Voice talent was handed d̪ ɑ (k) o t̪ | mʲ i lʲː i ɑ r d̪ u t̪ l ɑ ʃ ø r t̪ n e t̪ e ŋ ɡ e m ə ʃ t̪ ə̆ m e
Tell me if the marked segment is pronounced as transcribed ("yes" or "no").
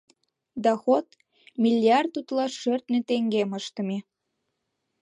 no